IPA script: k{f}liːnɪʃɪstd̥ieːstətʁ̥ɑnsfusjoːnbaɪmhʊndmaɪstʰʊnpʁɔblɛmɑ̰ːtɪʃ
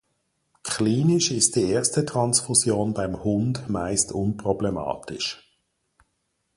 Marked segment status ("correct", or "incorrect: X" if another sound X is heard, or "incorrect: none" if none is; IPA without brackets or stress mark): incorrect: χ